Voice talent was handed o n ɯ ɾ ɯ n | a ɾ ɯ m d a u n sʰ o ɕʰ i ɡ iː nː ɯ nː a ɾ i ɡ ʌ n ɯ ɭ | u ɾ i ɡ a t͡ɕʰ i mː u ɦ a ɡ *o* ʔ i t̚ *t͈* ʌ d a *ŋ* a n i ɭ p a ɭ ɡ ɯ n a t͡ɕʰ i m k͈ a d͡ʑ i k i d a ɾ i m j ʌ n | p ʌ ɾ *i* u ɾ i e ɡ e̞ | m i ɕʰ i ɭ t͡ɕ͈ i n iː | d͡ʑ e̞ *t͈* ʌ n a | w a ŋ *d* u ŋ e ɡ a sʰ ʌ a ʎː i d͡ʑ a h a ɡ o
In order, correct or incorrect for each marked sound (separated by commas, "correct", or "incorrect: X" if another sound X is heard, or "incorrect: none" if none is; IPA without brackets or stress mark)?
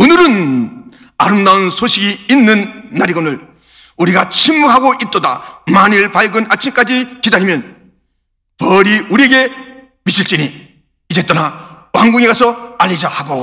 correct, correct, incorrect: m, correct, correct, incorrect: ɡ